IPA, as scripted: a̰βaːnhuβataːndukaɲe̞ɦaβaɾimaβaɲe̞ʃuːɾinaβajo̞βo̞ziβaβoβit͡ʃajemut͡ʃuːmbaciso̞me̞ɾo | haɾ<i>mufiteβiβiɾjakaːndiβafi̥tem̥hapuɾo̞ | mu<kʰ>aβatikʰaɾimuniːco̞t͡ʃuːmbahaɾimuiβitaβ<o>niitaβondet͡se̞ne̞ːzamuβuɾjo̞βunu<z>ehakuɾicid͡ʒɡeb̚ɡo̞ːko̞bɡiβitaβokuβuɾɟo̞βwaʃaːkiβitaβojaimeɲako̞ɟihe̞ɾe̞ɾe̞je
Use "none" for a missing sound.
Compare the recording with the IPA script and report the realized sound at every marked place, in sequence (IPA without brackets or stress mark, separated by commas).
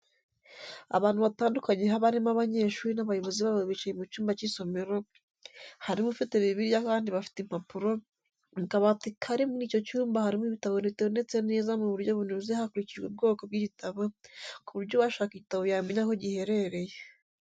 i, k, o, z